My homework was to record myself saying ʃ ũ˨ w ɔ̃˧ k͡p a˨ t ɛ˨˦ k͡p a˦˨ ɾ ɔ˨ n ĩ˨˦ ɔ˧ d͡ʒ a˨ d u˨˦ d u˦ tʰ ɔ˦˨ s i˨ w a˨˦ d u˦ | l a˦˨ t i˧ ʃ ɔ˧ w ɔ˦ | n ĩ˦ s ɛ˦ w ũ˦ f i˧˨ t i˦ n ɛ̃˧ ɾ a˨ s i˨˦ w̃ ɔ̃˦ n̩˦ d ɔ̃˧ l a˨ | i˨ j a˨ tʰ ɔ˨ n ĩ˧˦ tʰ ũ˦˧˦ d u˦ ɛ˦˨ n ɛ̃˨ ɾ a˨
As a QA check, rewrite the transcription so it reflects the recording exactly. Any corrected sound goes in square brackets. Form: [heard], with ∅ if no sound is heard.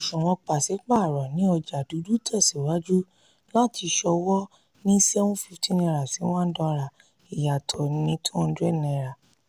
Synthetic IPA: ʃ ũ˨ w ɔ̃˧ k͡p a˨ [s] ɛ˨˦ k͡p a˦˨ ɾ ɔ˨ n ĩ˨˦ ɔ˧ d͡ʒ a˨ d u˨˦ d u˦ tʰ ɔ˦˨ s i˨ w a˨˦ [d͡ʒ] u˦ | l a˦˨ t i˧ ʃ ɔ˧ w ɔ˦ | n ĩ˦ s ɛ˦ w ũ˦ f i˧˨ t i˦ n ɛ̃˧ ɾ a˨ s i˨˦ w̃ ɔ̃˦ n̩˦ d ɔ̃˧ [ɾ] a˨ | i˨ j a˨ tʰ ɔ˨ n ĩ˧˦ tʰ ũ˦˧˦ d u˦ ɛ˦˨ n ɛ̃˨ ɾ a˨